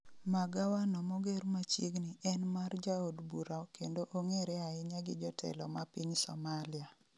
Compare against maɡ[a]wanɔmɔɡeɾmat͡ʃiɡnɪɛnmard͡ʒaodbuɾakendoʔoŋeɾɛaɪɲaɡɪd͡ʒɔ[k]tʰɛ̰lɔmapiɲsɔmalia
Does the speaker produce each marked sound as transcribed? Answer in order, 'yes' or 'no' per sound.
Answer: yes, no

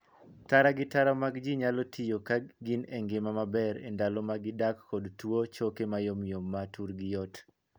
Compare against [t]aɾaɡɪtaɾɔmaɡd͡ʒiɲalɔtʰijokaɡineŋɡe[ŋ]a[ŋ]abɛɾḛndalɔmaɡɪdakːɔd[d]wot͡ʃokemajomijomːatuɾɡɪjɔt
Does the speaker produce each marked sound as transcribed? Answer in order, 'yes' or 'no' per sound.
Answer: yes, no, no, no

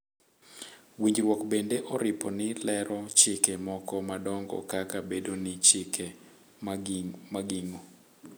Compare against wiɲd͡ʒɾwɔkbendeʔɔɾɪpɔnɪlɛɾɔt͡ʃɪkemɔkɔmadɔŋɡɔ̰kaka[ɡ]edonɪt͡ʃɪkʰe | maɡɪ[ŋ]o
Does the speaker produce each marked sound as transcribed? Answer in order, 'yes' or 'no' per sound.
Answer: no, yes

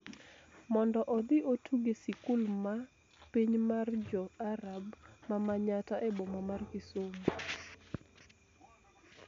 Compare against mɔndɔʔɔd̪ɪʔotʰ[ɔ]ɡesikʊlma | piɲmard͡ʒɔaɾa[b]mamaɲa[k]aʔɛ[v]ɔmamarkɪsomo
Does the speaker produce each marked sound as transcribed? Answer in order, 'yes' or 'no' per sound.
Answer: no, yes, no, no

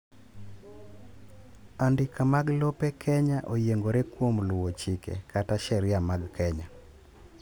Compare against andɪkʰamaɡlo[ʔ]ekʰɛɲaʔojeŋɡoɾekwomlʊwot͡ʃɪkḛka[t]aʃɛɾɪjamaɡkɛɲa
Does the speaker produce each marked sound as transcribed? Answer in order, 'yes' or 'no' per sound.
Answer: no, yes

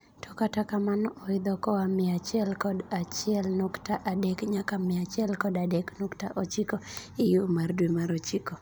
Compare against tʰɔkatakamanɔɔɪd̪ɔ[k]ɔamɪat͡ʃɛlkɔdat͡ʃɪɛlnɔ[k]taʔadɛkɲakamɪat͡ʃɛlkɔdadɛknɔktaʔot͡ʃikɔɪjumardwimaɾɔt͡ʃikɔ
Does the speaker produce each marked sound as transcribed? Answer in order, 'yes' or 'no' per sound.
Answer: yes, yes

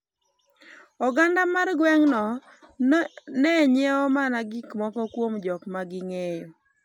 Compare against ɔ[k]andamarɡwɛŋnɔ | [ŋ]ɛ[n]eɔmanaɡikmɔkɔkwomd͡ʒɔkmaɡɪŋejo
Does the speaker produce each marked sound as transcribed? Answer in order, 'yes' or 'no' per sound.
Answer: no, no, no

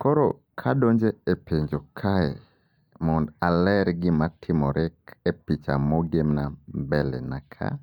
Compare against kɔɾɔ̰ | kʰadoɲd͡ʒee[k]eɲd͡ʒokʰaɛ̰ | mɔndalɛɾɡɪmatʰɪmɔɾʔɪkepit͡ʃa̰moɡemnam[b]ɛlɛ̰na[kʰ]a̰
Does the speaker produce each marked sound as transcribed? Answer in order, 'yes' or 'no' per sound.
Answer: no, yes, yes

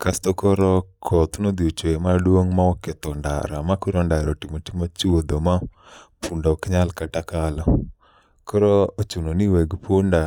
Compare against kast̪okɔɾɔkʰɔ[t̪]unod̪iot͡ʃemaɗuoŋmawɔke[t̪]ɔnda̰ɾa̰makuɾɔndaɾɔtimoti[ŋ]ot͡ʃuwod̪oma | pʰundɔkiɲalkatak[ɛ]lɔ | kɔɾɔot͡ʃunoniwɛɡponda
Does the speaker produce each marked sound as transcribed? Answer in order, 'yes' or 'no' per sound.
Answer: yes, yes, no, no

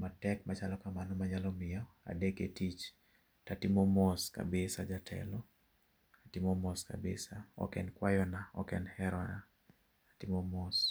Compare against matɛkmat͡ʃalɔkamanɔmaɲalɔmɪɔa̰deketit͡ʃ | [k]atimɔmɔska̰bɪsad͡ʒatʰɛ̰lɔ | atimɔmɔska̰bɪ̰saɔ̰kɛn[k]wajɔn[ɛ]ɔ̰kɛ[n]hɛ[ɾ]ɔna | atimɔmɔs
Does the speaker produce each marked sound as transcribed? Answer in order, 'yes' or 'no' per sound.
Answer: no, yes, no, yes, yes

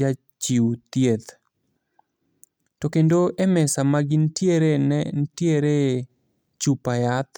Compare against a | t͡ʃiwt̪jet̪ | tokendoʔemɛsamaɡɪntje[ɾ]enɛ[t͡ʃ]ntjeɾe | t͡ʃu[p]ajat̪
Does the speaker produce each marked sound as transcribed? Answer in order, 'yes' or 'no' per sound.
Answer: yes, no, yes

